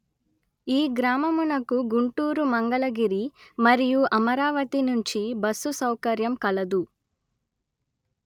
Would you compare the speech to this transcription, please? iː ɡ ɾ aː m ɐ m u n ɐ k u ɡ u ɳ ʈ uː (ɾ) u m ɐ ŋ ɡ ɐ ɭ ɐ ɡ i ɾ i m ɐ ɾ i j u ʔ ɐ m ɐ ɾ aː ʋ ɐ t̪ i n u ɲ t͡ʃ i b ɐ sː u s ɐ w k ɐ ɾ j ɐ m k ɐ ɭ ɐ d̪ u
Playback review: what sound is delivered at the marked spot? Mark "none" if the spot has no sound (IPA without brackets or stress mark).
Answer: ɾ